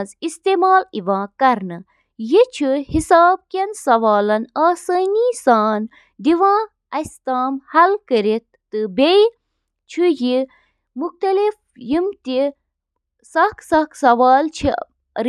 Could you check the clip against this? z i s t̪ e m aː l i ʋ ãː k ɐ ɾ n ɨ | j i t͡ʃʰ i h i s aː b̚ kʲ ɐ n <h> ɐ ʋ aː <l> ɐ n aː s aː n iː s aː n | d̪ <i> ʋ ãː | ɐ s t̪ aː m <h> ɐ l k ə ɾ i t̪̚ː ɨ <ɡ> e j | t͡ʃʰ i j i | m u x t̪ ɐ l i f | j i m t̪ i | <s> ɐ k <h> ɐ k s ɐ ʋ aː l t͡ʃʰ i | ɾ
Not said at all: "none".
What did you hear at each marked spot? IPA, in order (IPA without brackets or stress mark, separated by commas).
s, l, i, h, b, s, s